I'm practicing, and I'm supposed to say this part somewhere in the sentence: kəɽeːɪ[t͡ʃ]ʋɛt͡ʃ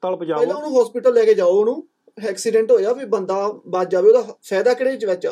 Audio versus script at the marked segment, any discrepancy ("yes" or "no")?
no